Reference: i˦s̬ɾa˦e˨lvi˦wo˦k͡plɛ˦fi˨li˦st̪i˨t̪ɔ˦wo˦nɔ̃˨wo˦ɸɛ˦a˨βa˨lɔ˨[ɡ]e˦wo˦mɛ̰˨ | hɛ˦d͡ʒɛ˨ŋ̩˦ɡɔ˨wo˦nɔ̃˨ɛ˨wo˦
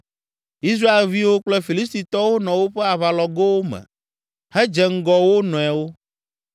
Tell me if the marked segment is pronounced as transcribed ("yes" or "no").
yes